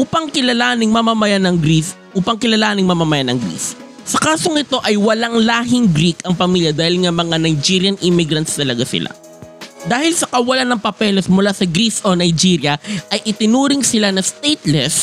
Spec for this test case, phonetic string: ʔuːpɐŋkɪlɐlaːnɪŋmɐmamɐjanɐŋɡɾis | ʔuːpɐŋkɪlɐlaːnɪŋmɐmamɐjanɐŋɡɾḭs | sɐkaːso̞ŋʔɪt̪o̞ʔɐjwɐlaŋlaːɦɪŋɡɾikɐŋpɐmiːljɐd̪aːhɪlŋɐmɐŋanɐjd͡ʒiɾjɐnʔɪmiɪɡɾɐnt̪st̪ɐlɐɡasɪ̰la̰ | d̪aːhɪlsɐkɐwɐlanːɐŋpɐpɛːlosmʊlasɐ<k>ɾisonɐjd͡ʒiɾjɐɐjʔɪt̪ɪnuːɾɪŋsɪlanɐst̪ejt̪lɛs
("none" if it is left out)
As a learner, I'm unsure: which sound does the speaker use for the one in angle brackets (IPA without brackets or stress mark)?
ɡ